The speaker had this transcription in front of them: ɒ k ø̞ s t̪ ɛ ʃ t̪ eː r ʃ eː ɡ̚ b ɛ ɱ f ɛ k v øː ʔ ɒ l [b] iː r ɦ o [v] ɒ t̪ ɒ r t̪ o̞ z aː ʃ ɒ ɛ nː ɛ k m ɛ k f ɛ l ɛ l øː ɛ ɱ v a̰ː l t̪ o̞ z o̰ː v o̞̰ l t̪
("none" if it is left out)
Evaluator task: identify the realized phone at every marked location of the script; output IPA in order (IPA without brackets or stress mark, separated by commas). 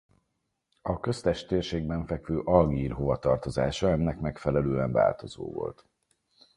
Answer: ɡ, v